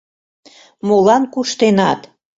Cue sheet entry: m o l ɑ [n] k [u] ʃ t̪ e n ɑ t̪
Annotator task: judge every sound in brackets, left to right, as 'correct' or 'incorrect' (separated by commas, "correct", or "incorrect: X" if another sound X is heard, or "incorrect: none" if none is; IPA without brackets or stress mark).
correct, correct